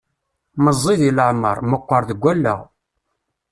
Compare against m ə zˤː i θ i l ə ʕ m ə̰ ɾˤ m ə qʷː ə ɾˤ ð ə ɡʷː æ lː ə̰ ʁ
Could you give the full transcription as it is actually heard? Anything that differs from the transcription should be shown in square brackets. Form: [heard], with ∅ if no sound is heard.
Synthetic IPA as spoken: m ə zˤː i [ð] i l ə ʕ m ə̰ ɾˤ m ə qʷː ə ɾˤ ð ə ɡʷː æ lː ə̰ ʁ